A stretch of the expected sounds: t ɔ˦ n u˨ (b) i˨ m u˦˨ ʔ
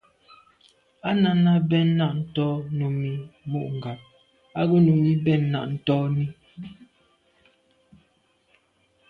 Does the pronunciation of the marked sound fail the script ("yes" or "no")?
yes